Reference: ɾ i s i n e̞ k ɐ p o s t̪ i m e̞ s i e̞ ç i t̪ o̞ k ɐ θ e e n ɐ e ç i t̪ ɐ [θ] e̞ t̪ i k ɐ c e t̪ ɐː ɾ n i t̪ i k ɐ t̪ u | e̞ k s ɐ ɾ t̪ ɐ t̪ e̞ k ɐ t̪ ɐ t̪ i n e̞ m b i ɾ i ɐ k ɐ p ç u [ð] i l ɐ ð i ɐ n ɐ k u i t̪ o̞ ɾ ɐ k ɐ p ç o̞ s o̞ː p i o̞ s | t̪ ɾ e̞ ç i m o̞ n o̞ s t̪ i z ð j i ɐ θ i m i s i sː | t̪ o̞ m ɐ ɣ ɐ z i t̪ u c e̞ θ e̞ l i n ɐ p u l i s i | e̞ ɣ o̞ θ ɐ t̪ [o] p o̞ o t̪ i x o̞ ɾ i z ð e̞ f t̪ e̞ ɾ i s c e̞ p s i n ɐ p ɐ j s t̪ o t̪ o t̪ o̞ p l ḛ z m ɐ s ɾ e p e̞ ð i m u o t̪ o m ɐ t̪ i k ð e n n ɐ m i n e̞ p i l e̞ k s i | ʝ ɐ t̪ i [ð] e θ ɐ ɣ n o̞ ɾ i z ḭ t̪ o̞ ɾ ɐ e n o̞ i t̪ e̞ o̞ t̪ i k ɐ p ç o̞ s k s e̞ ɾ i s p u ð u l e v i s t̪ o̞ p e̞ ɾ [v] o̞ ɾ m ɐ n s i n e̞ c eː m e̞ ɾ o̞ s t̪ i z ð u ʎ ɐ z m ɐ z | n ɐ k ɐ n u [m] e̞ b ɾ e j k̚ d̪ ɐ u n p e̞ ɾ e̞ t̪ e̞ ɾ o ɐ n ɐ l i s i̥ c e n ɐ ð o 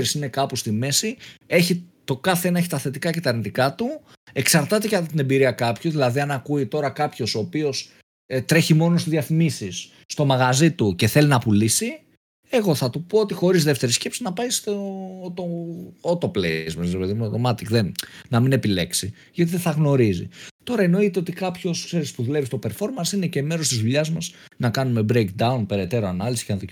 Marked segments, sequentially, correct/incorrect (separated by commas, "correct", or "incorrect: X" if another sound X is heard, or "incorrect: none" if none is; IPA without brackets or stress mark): correct, correct, incorrect: u, correct, incorrect: f, correct